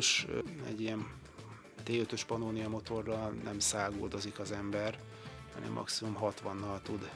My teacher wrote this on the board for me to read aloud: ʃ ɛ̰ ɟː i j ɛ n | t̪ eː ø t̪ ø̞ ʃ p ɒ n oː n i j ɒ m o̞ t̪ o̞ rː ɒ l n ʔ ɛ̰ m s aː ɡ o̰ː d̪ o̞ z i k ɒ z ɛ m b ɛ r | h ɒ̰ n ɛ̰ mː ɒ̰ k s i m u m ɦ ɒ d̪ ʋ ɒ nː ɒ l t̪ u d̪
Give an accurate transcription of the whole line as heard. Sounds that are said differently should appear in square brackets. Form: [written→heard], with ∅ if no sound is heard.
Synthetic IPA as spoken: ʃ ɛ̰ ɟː i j ɛ n | t̪ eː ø t̪ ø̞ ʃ p ɒ n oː n i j ɒ m o̞ t̪ o̞ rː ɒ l n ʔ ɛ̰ m s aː ɡ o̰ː d̪ o̞ z i k ɒ z ɛ m b ɛ r | h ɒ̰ n ɛ̰ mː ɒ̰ k s i m u m ɦ ɒ [d̪→t̪] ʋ ɒ nː ɒ l t̪ u d̪